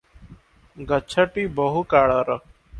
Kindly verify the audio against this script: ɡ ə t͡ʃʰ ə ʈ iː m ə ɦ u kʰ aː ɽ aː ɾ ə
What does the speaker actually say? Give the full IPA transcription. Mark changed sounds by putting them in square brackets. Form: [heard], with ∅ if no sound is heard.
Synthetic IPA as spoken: ɡ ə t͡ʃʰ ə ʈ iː [b] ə ɦ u [k] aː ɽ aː ɾ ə

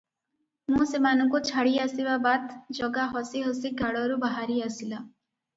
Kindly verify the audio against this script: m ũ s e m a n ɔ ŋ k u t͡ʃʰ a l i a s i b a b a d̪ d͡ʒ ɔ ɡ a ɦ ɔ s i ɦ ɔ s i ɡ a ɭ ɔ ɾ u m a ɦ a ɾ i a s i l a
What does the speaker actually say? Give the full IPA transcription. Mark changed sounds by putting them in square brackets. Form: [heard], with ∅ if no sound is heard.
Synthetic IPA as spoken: m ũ s e m a n ɔ ŋ k u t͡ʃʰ a [ɽ] i a s i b a b a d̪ d͡ʒ ɔ ɡ a ɦ ɔ s i ɦ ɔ s i ɡ a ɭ ɔ ɾ u [b] a ɦ a ɾ i a s i l a

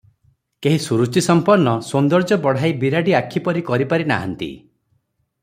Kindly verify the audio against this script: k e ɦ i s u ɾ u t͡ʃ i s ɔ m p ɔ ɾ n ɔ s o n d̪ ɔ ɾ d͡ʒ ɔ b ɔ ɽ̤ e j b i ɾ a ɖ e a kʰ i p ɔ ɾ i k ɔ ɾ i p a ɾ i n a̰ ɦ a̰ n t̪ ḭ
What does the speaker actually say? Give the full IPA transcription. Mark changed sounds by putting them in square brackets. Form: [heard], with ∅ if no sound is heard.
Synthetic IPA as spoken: k e ɦ i s u ɾ u t͡ʃ i s ɔ m p ɔ ɾ n ɔ s o n d̪ ɔ ɾ d͡ʒ ɔ b ɔ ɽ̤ [a] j b i ɾ a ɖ [i] a kʰ i p ɔ ɾ i k ɔ ɾ i p a ɾ i n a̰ ɦ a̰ n t̪ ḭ

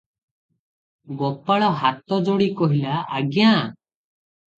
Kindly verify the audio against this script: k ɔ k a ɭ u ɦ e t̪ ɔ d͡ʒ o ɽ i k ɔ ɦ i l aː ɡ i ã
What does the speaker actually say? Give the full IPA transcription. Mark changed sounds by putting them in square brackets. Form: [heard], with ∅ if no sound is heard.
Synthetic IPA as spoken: [ɡ] ɔ [p] a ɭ [ɔ] ɦ [a] t̪ ɔ d͡ʒ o ɽ i k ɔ ɦ i l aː ɡ [j] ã

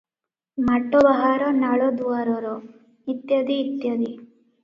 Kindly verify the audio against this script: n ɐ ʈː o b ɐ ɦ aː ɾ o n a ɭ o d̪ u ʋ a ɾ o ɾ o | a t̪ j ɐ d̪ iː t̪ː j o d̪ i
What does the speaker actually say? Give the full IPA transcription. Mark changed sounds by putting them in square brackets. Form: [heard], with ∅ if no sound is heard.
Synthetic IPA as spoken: [m] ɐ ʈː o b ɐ ɦ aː ɾ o n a ɭ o d̪ u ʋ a ɾ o ɾ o | [i] t̪ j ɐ d̪ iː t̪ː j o d̪ i

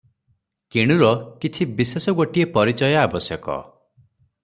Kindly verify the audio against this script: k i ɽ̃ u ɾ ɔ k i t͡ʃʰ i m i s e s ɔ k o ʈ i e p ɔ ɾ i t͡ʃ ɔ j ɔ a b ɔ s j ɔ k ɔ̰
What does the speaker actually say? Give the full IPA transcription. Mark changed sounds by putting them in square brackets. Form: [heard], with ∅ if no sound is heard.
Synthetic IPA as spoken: k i ɽ̃ u ɾ ɔ k i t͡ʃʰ i [b] i s e s ɔ [ɡ] o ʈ i e p ɔ ɾ i t͡ʃ ɔ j ɔ a b ɔ s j ɔ k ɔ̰

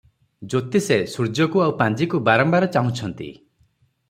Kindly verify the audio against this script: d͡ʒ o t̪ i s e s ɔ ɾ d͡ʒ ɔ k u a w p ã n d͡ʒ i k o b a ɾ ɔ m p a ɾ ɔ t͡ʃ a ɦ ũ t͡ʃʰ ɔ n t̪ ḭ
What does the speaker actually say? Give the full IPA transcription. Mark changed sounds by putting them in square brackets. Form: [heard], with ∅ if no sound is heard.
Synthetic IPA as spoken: d͡ʒ o t̪ i s e s [u] ɾ d͡ʒ ɔ k u a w p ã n d͡ʒ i k [u] b a ɾ ɔ m [b] a ɾ ɔ t͡ʃ a ɦ ũ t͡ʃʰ ɔ n t̪ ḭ

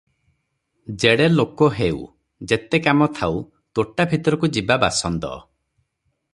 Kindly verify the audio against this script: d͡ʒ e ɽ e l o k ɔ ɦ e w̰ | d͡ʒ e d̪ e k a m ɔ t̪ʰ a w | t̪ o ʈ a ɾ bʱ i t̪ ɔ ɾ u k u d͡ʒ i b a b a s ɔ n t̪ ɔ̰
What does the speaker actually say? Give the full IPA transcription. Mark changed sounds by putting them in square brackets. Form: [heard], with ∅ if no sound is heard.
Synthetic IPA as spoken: d͡ʒ e ɽ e l o k ɔ ɦ e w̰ | d͡ʒ e [t̪] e k a m ɔ t̪ʰ a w | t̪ o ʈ a [∅] bʱ i t̪ ɔ ɾ [ɔ] k u d͡ʒ i b a b a s ɔ n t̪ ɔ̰

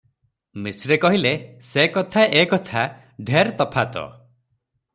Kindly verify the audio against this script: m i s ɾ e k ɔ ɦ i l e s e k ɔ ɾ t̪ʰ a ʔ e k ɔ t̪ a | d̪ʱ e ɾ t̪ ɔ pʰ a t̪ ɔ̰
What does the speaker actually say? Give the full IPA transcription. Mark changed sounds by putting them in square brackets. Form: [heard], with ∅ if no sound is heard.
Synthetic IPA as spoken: m i s ɾ e k ɔ ɦ i l e s e k ɔ [∅] t̪ʰ a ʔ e k ɔ [t̪ʰ] a | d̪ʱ e ɾ t̪ ɔ pʰ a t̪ ɔ̰

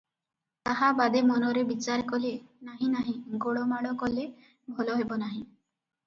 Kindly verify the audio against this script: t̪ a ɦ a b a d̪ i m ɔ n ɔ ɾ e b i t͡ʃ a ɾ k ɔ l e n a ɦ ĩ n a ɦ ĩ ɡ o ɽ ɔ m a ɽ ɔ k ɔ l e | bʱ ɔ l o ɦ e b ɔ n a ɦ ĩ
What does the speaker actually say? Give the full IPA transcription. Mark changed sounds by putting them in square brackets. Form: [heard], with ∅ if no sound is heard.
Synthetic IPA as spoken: t̪ a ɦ a b a d̪ [e] m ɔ n ɔ ɾ e b i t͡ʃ a ɾ k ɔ l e n a ɦ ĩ n a ɦ ĩ ɡ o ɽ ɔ m a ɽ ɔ k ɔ l e | bʱ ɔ l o ɦ e b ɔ n a ɦ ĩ

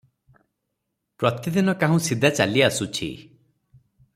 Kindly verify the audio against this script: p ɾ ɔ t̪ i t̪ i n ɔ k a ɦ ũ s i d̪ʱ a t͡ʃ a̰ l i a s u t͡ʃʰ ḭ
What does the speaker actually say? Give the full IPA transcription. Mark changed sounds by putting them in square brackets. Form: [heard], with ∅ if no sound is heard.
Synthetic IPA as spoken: p ɾ ɔ t̪ i [d̪] i n ɔ k a ɦ ũ s i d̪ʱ a t͡ʃ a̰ l i a s u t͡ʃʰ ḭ

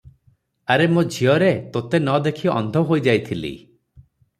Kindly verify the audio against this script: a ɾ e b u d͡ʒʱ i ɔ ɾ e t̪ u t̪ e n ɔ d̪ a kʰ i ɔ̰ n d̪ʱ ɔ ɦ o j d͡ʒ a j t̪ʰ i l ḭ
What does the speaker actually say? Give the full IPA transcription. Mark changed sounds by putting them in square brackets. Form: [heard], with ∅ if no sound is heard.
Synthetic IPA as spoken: a ɾ e [m] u d͡ʒʱ i ɔ ɾ e t̪ [o] t̪ e n ɔ d̪ [e] kʰ i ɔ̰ n d̪ʱ ɔ ɦ o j d͡ʒ a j t̪ʰ i l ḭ

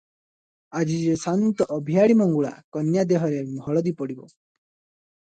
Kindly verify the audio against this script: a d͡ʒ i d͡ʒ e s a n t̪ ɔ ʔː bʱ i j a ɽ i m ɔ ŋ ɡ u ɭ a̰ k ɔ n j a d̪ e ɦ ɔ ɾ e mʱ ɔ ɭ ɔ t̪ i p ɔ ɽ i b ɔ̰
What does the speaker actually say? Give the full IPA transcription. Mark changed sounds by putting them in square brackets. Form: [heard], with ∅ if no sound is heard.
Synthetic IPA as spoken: a d͡ʒ i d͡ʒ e s a n t̪ ɔ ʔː bʱ i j a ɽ i m ɔ ŋ ɡ u ɭ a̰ k ɔ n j a d̪ e ɦ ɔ ɾ e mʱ ɔ ɭ ɔ [d̪] i p ɔ ɽ i b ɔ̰

